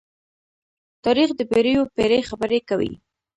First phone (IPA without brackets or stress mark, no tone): t̪